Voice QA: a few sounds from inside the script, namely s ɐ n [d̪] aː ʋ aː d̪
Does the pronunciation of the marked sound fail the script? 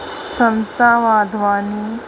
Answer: yes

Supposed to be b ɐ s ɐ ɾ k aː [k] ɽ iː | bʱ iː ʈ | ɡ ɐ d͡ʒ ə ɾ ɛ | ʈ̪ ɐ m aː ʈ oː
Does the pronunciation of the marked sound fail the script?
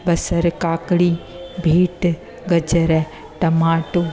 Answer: no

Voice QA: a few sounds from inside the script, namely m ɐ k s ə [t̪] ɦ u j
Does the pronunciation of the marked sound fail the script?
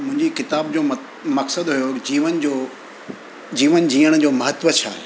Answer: yes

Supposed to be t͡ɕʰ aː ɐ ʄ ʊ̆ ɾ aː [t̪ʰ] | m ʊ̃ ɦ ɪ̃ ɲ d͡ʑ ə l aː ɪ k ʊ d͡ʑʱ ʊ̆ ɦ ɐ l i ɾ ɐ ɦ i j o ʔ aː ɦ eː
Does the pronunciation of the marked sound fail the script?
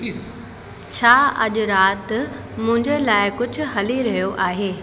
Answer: yes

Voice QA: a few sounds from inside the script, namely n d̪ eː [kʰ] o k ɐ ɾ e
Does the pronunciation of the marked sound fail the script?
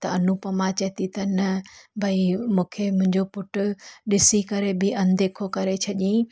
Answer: no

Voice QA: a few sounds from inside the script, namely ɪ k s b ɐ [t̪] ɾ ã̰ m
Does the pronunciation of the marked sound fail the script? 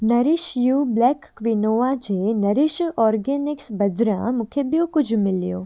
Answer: yes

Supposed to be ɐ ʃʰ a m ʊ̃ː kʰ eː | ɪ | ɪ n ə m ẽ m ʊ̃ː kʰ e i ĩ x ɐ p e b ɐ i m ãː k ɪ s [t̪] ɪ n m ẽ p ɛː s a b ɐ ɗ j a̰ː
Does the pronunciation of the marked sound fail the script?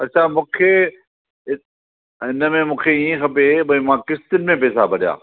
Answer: no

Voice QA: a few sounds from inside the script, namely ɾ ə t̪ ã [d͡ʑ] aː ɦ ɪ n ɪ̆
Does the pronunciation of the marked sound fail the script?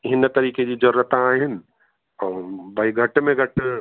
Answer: yes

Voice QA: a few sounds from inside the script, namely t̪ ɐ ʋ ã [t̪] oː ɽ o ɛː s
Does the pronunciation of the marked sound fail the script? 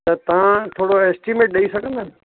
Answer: yes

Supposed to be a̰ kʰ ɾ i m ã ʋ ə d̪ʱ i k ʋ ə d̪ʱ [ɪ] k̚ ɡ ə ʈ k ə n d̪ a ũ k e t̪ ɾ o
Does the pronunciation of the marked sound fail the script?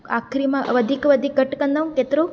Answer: yes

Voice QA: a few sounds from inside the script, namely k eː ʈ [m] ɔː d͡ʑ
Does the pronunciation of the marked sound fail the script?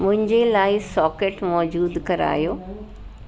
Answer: no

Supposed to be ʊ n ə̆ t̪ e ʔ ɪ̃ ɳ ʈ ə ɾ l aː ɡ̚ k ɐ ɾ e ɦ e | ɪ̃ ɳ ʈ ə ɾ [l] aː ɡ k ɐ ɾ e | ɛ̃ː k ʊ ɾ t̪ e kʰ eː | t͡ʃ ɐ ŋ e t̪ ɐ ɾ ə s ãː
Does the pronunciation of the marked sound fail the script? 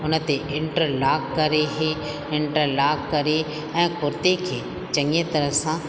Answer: no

